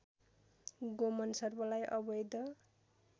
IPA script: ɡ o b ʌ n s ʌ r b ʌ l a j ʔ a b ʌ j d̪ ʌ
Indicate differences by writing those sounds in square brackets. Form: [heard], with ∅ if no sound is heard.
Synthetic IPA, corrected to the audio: ɡ o [m] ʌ n s ʌ r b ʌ l a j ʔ [ʌ] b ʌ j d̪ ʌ

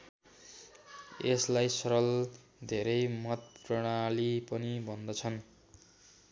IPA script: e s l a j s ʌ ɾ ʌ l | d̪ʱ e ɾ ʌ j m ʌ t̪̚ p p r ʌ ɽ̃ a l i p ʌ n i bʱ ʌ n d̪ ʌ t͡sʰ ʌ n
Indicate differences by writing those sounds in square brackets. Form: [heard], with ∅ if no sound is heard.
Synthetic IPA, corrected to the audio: e s l a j s ʌ ɾ ʌ l | d̪ʱ e ɾ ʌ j m ʌ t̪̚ p p r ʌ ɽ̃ a l i p ʌ n i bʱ ʌ n d̪ ʌ t͡sʰ ʌ n

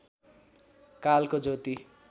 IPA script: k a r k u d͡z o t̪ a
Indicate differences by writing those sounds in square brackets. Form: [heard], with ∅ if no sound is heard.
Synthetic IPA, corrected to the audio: k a [l] k [o] d͡z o t̪ [i]

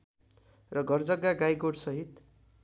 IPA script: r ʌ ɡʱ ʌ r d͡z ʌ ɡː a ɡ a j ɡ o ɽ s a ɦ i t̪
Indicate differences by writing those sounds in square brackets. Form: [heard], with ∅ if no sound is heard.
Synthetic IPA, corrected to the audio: r ʌ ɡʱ ʌ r d͡z ʌ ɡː a ɡ a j ɡ o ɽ s [ʌ] ɦ i t̪

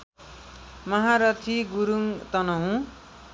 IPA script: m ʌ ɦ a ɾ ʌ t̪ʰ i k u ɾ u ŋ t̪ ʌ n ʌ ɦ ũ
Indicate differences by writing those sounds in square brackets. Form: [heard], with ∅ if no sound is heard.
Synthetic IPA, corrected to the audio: m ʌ ɦ a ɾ ʌ t̪ʰ i [ɡ] u ɾ u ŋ t̪ ʌ n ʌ ɦ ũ

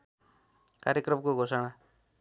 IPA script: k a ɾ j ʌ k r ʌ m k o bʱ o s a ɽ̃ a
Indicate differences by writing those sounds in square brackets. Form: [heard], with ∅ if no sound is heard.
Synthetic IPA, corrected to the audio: k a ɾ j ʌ k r ʌ m k o [ɡʱ] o s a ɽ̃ a

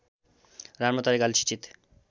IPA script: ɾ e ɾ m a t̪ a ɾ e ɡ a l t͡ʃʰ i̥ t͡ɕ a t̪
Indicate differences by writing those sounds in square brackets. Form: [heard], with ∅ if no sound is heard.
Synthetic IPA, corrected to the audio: ɾ [a] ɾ m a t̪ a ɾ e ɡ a l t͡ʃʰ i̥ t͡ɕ [i] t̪

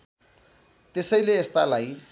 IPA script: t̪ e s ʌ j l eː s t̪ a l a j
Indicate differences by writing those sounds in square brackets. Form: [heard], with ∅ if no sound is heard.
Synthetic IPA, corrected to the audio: t̪ e s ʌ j l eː s t̪ a l a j

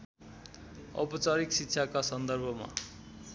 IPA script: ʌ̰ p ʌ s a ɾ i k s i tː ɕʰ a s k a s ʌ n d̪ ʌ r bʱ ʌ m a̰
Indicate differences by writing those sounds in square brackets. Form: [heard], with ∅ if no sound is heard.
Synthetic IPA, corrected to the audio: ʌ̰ p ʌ [t͡s] a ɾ i k s i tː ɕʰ a [∅] k a s ʌ n d̪ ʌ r bʱ ʌ m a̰

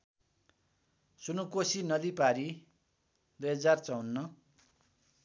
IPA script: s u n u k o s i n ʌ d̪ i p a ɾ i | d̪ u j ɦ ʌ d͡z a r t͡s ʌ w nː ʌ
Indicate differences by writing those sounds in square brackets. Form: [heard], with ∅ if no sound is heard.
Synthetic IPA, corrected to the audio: s u n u k o s i n ʌ d̪ i p a ɾ i | d̪ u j ɦ ʌ d͡z a r t͡s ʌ w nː ʌ

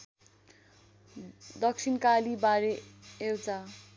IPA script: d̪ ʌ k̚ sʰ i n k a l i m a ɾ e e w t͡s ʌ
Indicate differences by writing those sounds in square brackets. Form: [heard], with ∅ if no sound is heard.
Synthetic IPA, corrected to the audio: d̪ ʌ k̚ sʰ i n k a l i [b] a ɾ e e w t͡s [a]

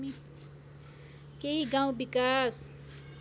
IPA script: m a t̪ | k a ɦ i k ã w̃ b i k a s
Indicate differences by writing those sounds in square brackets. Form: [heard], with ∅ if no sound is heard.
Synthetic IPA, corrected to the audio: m [i] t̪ | k [e] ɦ i [ɡ] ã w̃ b i k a s

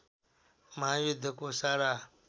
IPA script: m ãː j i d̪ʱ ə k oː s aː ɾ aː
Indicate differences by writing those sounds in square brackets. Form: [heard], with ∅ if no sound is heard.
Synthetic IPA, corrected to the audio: m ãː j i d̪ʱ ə k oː s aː ɾ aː

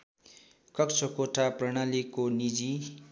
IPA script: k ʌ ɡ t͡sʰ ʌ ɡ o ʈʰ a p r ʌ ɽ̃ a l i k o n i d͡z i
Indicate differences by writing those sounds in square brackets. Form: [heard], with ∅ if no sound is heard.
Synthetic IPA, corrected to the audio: k ʌ [k] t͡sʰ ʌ [k] o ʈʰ a p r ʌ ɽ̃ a l i k o n i d͡z i

